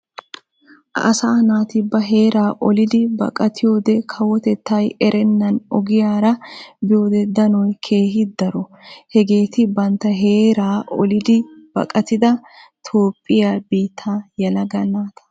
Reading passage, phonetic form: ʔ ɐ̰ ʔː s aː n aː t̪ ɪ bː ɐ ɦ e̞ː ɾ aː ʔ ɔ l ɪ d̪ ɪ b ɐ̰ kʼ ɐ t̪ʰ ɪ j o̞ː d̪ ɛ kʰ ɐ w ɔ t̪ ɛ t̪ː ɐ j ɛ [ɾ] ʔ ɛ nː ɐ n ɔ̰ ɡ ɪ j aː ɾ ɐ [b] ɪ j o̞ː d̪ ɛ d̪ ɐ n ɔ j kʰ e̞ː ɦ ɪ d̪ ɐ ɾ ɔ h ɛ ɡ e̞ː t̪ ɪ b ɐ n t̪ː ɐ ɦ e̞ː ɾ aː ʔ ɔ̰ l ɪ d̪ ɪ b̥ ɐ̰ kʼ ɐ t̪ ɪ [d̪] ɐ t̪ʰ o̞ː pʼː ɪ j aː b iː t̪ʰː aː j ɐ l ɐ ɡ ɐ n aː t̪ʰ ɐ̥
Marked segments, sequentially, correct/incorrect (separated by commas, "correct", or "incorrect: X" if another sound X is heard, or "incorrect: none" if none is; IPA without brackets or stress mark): correct, correct, correct